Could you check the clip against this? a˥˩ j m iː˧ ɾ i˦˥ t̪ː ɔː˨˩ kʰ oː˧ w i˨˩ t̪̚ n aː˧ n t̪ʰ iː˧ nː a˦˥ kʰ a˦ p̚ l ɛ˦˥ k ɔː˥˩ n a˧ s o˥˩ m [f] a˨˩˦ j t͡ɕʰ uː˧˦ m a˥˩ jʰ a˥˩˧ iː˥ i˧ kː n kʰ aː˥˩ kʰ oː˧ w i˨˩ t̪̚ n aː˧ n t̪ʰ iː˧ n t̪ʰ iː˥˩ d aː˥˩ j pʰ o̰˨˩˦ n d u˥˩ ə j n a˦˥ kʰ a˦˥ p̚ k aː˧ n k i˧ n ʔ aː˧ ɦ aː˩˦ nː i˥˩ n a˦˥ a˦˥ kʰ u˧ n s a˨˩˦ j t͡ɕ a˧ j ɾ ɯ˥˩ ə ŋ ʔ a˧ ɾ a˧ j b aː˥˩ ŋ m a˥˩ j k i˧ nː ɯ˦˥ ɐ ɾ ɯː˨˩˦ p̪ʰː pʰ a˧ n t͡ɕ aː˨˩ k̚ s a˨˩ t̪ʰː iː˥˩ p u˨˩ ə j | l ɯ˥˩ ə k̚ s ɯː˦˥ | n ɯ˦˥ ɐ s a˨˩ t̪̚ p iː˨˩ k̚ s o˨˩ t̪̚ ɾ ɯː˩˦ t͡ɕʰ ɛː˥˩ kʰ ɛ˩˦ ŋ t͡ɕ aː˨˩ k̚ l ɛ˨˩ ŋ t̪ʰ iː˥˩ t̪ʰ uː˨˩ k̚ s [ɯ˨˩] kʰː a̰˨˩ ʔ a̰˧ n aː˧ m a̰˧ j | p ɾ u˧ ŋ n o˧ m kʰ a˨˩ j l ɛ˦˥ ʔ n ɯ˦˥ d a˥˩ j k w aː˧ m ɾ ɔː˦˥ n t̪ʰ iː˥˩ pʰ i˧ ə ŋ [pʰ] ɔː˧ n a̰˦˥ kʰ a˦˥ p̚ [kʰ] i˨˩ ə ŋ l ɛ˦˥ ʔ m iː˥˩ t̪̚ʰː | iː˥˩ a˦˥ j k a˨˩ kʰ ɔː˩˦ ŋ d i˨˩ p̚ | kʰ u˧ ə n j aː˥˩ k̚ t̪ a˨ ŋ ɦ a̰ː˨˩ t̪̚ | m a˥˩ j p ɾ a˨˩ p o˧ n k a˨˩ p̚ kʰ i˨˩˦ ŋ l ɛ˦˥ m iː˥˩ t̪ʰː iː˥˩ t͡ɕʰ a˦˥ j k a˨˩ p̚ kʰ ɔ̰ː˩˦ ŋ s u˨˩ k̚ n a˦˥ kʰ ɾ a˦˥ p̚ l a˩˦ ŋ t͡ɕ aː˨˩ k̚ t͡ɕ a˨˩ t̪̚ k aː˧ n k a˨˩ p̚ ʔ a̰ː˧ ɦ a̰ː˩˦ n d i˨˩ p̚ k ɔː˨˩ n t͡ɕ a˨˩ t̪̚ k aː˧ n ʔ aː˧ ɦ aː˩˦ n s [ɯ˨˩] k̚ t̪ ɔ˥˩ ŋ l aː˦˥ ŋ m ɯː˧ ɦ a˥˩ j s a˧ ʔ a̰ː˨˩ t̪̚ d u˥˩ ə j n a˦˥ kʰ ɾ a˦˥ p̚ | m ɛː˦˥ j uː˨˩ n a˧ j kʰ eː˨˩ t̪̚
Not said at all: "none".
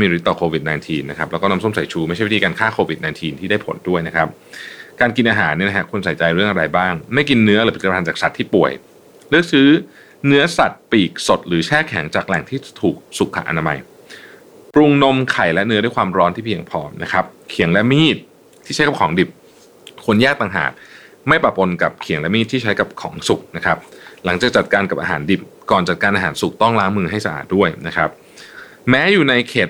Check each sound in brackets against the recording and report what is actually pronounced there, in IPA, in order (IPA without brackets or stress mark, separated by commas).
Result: s, u˨˩, pʰ, kʰ, u˨˩